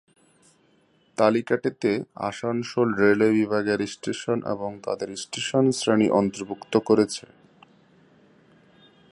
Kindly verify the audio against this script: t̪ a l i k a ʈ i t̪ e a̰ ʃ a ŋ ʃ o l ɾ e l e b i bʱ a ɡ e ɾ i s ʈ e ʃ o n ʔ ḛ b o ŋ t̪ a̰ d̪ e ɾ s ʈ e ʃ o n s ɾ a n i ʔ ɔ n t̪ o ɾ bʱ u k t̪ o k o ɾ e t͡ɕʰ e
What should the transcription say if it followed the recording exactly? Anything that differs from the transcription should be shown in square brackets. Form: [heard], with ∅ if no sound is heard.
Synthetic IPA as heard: t̪ a l i k a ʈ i t̪ e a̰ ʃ a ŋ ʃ o l ɾ e l e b i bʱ a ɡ e ɾ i s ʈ e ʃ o n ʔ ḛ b o ŋ t̪ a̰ d̪ e ɾ s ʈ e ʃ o n s ɾ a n i ʔ ɔ n t̪ o ɾ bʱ u k t̪ o k o ɾ e t͡ɕʰ e

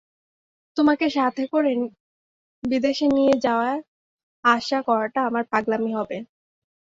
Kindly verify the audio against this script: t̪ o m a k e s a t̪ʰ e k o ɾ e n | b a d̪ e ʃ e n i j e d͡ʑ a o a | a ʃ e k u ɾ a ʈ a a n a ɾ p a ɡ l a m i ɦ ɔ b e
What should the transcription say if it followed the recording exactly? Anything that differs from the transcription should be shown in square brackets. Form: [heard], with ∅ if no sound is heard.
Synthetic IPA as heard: t̪ o m a k e [ʃ] a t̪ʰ e k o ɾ e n | b [i] d̪ e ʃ e n i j e d͡ʑ a o a | a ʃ [a] k [ɔ] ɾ a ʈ a a [m] a ɾ p a ɡ l a m i ɦ ɔ b e

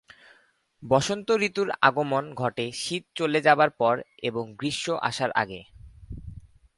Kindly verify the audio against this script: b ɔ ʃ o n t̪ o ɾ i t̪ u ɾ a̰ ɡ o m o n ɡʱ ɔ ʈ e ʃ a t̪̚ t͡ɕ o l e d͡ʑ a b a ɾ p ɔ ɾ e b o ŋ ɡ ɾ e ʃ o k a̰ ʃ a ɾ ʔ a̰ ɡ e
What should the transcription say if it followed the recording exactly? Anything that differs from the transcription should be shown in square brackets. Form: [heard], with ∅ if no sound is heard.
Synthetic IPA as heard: b ɔ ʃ o n t̪ o ɾ i t̪ u ɾ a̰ ɡ o m o n ɡʱ ɔ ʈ e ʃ [i] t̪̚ t͡ɕ o l e d͡ʑ a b a ɾ p ɔ ɾ e b o ŋ ɡ ɾ [i] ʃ o [ʔ] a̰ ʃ a ɾ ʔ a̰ ɡ e

